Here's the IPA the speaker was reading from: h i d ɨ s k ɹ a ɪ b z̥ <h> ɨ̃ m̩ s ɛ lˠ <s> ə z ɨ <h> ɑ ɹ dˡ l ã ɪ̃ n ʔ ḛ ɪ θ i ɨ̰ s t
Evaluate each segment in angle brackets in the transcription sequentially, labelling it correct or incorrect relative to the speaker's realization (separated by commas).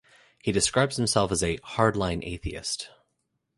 correct, incorrect, correct